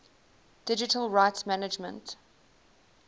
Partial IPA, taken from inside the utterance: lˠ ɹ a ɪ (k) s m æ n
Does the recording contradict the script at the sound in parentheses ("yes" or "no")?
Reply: yes